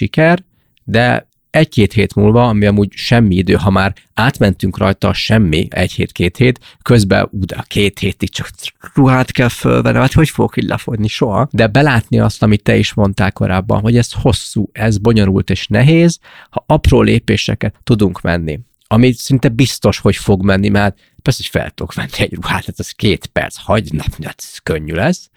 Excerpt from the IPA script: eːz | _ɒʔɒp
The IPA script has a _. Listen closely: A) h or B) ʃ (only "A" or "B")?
A